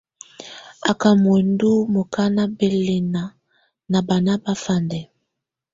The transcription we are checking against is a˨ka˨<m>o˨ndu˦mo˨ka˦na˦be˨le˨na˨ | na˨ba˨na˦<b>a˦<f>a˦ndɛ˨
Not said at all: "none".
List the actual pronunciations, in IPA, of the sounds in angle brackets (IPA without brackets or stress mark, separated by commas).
m, b, f